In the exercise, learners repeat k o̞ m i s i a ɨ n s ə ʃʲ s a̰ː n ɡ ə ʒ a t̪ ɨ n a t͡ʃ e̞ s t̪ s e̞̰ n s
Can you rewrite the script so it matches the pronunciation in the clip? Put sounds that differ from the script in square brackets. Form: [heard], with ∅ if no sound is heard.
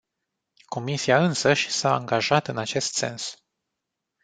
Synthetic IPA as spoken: k o̞ m i s i a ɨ n s ə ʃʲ s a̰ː [ŋ] ɡ [a] ʒ a t̪ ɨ n a t͡ʃ e̞ s t̪ s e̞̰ n s